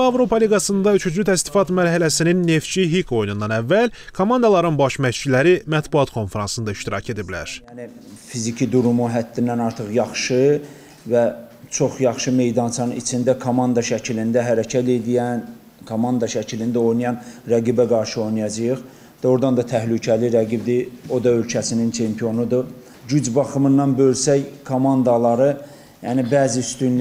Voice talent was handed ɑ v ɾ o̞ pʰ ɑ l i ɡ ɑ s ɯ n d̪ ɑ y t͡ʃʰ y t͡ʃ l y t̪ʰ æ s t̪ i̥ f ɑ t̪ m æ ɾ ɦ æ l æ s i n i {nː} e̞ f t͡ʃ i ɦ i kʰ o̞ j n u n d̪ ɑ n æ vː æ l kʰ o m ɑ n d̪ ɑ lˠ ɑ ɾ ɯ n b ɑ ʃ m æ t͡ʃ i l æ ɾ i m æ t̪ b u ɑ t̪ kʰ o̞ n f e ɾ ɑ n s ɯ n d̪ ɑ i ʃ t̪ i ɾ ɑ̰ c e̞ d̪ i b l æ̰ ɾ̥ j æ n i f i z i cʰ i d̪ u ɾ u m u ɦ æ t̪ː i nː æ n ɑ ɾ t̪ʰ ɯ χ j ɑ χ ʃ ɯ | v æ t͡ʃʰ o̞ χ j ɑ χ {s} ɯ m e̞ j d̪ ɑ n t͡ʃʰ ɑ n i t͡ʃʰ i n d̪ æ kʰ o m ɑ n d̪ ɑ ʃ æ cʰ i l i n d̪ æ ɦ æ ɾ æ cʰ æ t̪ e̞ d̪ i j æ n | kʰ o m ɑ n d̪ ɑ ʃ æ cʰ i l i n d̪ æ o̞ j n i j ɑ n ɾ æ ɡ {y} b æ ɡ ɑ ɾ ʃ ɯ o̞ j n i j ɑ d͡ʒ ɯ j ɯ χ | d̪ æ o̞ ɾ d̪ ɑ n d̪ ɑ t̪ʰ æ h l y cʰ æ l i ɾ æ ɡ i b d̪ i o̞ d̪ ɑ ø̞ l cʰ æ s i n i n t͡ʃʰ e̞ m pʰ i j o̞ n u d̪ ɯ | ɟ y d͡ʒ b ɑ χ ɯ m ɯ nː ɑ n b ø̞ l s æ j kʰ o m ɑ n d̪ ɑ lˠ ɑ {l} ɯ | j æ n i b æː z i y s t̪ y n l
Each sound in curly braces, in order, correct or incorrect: correct, incorrect, incorrect, incorrect

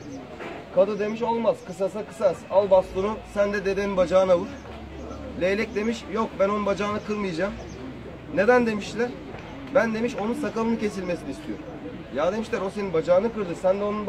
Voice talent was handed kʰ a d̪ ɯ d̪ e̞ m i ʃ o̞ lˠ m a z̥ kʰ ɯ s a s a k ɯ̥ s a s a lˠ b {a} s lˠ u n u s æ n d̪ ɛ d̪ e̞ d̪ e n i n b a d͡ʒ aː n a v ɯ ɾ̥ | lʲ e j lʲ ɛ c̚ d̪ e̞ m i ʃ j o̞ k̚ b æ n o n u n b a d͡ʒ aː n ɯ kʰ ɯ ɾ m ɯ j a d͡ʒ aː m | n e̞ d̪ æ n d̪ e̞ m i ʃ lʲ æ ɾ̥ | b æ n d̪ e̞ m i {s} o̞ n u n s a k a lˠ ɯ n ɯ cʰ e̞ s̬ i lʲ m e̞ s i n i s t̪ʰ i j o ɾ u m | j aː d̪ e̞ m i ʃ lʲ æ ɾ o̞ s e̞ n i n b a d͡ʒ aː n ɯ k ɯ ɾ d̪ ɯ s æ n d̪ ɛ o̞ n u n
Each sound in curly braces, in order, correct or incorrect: correct, incorrect

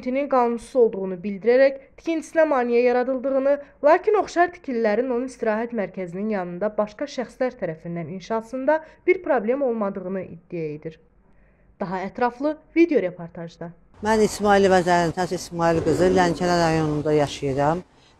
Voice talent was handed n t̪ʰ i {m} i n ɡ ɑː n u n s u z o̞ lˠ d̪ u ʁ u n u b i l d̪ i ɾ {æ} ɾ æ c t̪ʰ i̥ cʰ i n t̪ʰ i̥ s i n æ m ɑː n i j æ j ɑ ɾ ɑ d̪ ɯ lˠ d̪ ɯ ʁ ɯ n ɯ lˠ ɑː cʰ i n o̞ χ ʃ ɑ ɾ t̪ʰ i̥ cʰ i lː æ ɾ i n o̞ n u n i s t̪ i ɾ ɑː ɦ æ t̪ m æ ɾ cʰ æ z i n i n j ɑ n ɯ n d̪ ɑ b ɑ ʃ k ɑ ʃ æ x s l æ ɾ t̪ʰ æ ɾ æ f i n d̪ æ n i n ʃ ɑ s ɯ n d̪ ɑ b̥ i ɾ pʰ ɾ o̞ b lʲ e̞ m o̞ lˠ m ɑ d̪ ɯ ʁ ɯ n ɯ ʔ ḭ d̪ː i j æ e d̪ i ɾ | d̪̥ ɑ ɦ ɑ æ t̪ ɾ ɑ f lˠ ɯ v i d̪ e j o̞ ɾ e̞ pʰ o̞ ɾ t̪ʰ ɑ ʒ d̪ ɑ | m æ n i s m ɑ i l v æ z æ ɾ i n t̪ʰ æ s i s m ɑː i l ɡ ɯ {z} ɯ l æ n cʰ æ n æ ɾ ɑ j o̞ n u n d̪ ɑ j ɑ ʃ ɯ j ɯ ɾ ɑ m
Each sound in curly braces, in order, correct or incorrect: incorrect, correct, correct

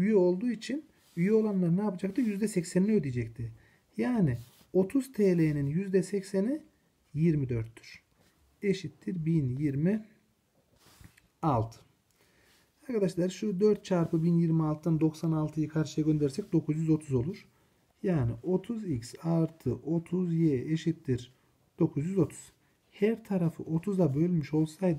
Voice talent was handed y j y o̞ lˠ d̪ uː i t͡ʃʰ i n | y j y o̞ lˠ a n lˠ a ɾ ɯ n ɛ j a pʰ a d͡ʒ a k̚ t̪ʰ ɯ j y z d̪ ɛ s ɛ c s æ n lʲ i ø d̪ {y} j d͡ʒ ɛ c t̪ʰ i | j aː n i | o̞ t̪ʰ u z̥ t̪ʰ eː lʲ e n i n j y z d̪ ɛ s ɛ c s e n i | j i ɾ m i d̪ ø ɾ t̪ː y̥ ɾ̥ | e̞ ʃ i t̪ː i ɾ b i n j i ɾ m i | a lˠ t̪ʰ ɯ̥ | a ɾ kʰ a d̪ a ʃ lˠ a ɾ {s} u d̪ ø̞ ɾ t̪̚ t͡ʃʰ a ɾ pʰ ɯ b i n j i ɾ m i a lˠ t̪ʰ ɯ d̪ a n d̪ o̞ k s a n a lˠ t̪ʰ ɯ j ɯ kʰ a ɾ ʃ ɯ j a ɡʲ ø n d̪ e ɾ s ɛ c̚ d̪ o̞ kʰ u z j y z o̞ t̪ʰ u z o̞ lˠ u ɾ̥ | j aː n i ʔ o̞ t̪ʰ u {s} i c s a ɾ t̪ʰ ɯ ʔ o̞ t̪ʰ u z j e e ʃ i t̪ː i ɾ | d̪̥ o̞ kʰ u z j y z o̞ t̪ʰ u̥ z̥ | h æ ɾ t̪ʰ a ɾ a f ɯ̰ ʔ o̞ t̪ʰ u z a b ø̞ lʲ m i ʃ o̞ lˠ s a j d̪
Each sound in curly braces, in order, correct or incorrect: incorrect, incorrect, incorrect

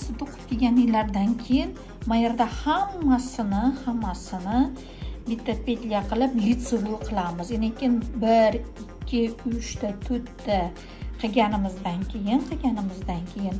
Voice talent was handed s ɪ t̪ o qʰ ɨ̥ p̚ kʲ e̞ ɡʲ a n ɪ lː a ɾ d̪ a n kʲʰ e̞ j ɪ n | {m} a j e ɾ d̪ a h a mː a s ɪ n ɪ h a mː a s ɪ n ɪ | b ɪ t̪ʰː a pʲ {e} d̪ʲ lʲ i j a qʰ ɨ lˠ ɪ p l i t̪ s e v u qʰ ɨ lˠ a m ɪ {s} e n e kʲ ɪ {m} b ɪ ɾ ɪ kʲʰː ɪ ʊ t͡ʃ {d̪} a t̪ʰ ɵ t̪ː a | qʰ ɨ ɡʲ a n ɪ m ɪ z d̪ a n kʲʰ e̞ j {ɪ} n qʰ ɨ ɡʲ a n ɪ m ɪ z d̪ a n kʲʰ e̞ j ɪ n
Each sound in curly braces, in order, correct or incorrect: correct, correct, incorrect, incorrect, incorrect, correct

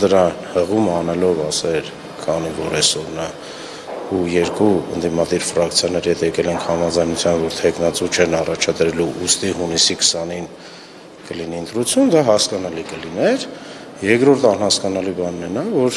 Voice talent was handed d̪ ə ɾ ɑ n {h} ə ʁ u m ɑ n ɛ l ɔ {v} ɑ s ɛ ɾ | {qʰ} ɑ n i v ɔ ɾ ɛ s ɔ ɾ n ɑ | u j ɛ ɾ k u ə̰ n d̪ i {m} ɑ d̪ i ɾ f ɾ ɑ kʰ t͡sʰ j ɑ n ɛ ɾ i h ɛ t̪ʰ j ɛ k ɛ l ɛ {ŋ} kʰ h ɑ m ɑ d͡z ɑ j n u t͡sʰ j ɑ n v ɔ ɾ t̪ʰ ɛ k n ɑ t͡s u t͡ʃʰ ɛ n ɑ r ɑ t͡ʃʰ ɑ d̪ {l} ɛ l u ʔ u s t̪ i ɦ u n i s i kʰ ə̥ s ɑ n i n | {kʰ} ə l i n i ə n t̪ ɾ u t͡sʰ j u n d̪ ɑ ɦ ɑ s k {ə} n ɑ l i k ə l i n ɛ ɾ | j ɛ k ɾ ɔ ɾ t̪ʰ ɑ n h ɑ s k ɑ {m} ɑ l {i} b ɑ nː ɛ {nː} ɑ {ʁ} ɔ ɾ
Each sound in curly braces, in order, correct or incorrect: correct, correct, incorrect, correct, correct, incorrect, incorrect, incorrect, incorrect, correct, incorrect, incorrect

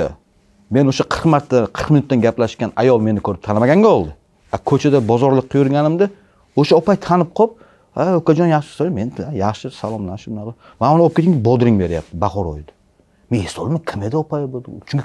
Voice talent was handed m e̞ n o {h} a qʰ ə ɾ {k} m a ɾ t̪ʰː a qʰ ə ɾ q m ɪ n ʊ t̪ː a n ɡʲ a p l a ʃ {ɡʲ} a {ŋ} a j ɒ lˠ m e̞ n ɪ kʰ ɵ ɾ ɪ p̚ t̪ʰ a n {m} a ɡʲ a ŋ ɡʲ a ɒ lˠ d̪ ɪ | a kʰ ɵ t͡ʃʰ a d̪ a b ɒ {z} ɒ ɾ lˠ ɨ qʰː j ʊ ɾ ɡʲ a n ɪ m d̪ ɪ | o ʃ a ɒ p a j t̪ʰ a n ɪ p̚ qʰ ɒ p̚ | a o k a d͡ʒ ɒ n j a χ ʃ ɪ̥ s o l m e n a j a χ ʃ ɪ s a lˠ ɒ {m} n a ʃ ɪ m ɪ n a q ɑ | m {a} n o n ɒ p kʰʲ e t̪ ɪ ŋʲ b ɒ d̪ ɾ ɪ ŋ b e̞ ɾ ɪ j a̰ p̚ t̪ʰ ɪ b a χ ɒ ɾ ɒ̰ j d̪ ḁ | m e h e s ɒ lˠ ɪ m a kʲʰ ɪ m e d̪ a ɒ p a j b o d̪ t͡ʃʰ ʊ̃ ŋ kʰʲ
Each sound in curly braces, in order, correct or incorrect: incorrect, incorrect, incorrect, incorrect, correct, correct, correct, correct

